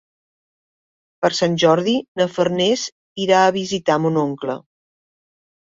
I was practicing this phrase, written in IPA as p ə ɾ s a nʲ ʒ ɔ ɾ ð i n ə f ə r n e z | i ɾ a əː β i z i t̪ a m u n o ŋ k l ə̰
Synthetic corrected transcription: p ə ɾ s a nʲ ʒ ɔ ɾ ð i n ə f ə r n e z | i ɾ a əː β i z i t̪ a m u n o ŋ k l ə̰